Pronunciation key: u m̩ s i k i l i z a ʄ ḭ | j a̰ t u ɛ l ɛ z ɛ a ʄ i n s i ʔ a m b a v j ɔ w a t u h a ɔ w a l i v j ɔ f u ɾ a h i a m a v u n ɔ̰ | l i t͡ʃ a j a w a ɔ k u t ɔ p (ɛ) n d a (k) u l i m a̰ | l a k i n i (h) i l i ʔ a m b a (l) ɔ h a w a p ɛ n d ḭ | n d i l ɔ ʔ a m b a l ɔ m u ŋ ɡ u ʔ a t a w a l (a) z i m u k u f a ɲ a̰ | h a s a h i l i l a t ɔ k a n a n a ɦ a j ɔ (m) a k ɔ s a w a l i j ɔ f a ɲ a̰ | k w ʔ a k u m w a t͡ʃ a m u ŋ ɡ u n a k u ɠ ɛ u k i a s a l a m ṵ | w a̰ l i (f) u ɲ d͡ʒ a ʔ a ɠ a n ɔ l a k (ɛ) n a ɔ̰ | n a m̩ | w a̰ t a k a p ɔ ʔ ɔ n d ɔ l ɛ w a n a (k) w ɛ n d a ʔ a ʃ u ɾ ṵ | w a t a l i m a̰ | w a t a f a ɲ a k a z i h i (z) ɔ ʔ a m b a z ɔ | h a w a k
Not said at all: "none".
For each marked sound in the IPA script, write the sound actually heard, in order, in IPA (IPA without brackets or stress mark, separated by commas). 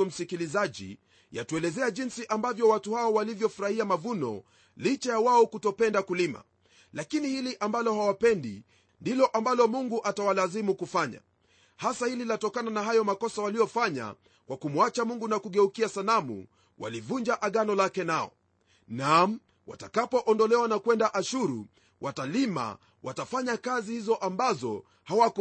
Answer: ɛ, k, h, l, a, m, v, ɛ, k, z